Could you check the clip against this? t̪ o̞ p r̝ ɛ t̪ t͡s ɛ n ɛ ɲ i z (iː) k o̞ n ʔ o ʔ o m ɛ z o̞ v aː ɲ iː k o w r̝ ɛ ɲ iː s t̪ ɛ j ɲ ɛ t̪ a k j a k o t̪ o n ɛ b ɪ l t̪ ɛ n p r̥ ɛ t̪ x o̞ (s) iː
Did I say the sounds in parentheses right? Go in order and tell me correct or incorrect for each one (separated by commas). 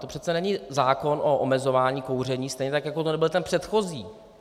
incorrect, incorrect